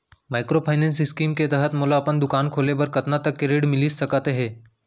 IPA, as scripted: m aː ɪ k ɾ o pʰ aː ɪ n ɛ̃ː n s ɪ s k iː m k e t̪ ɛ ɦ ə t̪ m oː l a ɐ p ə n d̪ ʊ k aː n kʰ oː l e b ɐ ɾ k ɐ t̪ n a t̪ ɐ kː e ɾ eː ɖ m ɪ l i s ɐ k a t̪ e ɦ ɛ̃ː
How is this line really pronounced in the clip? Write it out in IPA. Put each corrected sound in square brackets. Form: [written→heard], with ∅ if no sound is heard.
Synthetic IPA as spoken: m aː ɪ k ɾ o pʰ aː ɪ n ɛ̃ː n s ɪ s k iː m k e t̪ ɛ ɦ ə t̪ m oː l a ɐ p ə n d̪ ʊ k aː n kʰ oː l e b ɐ ɾ k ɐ t̪ n a t̪ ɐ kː e ɾ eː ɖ m ɪ l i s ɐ k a t̪ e ɦ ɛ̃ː